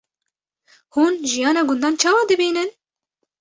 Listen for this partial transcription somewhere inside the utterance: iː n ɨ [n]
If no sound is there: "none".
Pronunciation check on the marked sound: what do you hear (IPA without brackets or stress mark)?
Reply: n